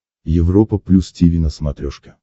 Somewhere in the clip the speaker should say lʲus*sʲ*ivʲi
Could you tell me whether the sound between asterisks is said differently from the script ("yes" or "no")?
yes